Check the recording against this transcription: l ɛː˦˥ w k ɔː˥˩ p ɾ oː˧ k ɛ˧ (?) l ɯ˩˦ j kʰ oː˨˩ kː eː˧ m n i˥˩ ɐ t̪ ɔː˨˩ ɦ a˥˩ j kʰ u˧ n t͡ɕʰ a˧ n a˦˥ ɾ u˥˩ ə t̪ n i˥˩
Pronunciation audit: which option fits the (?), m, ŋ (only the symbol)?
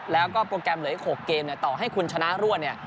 m